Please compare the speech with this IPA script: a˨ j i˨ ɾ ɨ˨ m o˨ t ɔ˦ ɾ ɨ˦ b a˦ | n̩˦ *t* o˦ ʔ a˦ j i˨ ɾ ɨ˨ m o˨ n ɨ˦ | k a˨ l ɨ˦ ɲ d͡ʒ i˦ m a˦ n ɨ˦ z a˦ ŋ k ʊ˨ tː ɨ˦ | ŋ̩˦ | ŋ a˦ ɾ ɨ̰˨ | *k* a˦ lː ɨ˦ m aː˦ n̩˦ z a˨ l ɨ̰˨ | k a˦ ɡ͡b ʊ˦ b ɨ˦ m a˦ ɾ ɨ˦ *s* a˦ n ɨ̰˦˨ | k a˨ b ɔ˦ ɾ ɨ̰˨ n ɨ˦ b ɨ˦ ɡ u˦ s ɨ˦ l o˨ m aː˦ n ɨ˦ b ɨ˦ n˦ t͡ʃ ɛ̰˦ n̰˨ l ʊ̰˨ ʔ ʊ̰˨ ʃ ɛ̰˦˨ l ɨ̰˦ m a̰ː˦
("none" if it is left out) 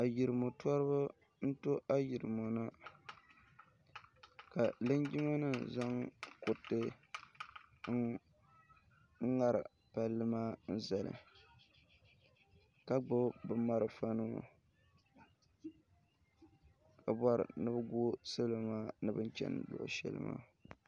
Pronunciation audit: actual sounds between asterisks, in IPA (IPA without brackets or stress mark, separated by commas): t, p, f